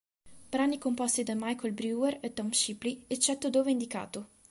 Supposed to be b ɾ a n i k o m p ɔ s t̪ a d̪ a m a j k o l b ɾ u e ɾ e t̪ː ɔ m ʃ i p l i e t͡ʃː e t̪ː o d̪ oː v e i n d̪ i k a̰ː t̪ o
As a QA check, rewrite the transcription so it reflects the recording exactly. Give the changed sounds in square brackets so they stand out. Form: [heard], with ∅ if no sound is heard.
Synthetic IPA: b ɾ a n i k o m p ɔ s t̪ [i] d̪ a m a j k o l b ɾ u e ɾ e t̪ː ɔ m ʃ i p l i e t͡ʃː [ɛ] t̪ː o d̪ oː v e i n d̪ i k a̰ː t̪ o